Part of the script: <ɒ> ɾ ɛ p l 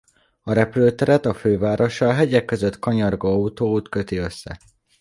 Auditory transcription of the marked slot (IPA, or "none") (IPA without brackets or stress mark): ɒ